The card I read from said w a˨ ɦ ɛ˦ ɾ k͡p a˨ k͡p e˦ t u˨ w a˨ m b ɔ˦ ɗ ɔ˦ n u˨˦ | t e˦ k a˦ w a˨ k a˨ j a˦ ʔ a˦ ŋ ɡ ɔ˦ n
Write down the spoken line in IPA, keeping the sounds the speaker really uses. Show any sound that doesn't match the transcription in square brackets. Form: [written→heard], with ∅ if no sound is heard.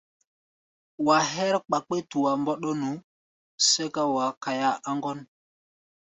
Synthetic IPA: w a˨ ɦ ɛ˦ ɾ k͡p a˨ k͡p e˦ t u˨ w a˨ m b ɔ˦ ɗ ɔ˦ n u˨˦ | [t→s] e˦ k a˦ w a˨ k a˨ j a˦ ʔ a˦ ŋ ɡ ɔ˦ n